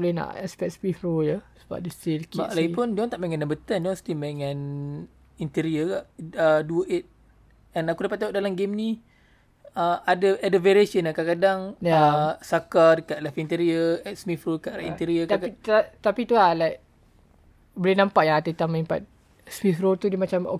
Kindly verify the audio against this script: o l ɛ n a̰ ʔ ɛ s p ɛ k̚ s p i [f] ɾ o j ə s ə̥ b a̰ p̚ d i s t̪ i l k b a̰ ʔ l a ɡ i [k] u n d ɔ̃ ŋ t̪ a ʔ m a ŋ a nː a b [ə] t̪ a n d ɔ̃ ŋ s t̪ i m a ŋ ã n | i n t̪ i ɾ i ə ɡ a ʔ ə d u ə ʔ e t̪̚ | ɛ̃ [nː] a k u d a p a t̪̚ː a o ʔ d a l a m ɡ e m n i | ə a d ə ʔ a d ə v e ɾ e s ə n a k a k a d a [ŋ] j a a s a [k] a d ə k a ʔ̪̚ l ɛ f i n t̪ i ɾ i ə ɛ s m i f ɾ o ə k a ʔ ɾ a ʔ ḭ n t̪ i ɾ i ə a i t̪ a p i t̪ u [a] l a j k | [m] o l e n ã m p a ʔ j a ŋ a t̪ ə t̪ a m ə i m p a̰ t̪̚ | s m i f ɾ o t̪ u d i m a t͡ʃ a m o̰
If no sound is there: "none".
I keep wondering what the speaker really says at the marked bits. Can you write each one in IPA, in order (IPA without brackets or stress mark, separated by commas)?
f, p, ə, n, ŋ, k, a, b